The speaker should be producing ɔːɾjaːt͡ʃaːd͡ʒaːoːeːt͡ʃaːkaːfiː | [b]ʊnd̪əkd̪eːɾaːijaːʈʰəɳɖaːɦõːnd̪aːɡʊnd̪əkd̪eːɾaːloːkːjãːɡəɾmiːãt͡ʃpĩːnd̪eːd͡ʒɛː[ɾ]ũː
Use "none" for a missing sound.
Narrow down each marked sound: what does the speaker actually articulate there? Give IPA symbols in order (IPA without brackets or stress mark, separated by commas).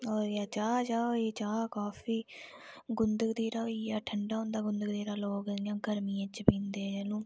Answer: ɡ, l